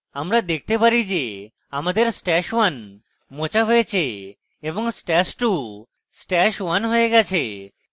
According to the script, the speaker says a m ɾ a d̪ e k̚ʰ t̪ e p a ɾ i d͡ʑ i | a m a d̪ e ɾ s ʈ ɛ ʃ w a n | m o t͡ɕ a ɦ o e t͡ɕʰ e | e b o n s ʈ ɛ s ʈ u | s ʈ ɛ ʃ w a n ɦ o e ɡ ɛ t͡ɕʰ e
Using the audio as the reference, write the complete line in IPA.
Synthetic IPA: a m ɾ a d̪ e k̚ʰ t̪ e p a ɾ i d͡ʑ e | a m a d̪ e ɾ s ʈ ɛ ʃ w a n | m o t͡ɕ a ɦ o e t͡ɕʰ e | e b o ŋ s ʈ ɛ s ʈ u | s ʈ ɛ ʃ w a n ɦ o e ɡ ɛ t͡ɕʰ e